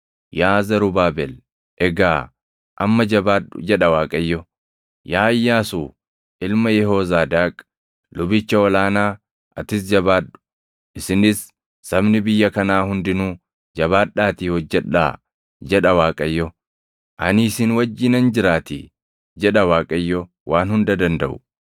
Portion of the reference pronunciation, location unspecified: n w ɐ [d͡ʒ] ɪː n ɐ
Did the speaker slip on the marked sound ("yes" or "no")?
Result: yes